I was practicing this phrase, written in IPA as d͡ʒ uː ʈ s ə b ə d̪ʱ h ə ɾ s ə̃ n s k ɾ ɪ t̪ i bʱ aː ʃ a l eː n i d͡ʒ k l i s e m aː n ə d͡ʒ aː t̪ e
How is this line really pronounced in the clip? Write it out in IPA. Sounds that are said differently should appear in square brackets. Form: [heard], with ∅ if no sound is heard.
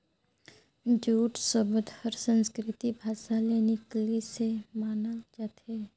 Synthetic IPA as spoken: d͡ʒ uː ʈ s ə b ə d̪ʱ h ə ɾ s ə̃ n s k ɾ ɪ t̪ i bʱ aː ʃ a l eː n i [∅] k l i s e m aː n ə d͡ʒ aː t̪ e